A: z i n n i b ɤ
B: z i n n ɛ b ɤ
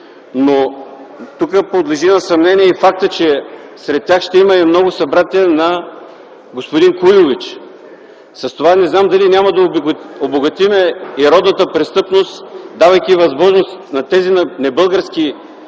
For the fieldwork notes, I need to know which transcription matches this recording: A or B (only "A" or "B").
B